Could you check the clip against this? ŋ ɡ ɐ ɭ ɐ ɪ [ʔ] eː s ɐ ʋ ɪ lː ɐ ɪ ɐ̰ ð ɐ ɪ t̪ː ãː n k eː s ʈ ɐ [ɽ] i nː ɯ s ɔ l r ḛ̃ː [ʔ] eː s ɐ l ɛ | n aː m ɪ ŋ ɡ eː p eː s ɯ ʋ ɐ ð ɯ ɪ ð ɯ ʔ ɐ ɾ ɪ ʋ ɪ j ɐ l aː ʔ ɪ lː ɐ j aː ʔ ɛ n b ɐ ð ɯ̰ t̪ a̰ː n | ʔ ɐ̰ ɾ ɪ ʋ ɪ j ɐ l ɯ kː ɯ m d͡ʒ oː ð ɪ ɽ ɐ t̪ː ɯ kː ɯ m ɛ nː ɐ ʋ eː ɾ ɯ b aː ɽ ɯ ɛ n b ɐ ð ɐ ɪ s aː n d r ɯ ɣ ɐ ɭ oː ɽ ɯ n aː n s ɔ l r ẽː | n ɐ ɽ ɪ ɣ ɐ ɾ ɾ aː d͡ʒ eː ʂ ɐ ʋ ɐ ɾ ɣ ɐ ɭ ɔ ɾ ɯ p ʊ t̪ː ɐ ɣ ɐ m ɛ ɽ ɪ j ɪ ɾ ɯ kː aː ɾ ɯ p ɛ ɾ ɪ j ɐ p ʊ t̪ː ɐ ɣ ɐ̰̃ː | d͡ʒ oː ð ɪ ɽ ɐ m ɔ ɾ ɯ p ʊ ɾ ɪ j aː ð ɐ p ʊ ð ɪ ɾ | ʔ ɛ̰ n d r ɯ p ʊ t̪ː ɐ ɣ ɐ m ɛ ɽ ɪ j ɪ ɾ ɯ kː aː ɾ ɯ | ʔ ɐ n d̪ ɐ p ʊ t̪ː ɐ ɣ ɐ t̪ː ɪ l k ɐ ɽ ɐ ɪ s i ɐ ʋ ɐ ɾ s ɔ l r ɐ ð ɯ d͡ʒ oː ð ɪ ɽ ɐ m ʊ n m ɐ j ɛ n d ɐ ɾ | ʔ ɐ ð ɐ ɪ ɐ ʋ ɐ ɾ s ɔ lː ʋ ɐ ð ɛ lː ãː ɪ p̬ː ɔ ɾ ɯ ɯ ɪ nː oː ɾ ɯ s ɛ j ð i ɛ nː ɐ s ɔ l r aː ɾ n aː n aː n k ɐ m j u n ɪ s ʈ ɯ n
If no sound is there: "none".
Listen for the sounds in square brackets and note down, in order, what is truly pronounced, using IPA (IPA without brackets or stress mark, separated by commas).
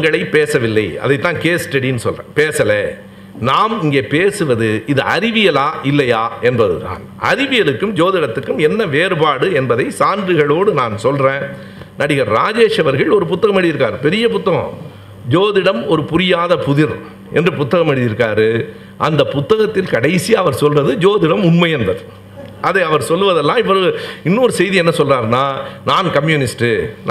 p, ɽ, p